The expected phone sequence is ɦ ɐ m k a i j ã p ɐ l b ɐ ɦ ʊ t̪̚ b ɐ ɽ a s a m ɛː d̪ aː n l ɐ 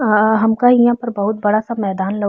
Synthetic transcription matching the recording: ɦ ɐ m k a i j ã p ɐ ɾ b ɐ ɦ ʊ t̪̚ b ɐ ɽ a s a m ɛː d̪ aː n l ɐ